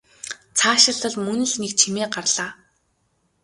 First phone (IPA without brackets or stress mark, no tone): t͡sʰ